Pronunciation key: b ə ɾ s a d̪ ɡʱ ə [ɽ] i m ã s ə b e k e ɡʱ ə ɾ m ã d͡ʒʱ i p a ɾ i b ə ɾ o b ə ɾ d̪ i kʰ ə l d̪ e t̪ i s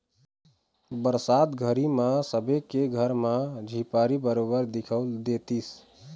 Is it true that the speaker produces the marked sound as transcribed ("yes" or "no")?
no